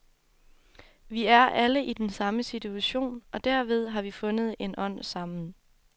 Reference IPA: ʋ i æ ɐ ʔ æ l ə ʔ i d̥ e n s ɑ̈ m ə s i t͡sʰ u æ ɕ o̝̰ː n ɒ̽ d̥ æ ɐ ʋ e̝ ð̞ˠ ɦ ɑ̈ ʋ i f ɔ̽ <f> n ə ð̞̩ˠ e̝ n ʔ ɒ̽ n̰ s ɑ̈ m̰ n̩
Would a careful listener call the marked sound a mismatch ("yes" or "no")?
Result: yes